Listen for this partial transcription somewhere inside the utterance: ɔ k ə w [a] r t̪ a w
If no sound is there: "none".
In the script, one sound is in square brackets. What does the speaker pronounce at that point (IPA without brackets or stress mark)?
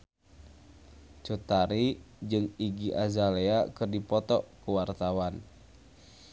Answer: a